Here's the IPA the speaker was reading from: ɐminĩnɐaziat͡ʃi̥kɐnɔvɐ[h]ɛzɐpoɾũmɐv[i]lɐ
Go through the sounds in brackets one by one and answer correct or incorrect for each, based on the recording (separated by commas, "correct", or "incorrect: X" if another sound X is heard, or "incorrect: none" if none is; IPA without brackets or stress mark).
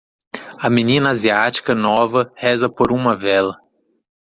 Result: correct, incorrect: ɛ